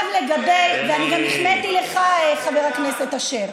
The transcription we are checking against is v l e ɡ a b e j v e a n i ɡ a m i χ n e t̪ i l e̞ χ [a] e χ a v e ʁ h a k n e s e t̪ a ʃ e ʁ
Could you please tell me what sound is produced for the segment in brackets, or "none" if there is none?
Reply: a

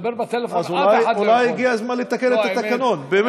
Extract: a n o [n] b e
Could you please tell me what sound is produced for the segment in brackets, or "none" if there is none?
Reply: n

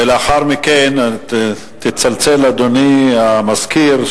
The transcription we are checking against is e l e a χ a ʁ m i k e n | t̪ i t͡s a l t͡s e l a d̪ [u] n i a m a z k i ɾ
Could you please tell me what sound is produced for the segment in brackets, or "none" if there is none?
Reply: o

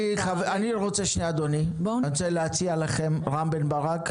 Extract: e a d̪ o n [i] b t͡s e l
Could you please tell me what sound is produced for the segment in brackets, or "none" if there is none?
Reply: i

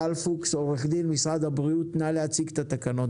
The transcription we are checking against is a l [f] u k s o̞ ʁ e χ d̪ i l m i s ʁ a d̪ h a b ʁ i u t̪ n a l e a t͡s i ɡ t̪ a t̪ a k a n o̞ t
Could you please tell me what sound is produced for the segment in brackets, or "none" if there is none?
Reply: f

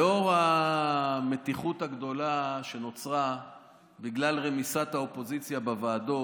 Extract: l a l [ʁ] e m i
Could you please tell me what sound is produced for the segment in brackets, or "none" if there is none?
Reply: ʁ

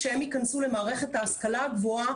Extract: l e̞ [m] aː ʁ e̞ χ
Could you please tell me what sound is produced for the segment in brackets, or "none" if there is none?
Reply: m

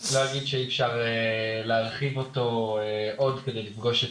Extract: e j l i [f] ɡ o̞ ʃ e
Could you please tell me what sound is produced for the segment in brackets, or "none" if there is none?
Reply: f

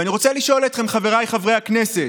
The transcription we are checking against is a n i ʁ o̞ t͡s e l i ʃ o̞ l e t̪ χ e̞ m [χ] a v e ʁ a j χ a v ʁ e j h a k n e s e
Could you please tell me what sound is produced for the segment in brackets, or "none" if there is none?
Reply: χ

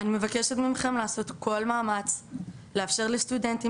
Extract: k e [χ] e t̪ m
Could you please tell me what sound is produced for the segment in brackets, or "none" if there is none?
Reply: ʃ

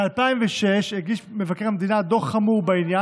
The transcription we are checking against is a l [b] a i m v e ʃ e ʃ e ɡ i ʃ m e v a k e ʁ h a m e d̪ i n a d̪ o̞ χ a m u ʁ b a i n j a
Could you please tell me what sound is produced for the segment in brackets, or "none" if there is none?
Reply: p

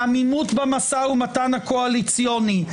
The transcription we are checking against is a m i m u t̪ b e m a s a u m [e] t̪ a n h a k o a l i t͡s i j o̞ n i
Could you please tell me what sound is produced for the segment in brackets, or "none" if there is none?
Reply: a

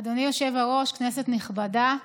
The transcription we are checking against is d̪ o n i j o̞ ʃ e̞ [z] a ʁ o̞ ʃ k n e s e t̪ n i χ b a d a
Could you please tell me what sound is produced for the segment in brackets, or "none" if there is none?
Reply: v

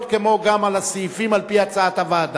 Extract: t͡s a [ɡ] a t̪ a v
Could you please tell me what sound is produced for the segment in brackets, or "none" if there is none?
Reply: none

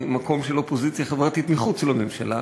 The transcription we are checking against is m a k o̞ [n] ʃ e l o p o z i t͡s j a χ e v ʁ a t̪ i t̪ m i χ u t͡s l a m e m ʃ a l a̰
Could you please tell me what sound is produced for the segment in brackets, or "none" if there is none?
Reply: m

